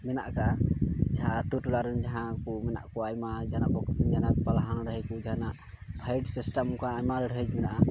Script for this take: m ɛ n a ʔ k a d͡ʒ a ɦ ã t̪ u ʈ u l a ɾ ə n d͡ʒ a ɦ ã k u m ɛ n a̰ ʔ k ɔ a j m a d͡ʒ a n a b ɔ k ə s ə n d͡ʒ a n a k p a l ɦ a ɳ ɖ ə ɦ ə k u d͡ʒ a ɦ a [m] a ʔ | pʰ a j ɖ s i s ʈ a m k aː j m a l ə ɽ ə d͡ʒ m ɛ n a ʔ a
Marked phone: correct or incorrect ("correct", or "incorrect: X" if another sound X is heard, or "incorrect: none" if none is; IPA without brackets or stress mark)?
incorrect: n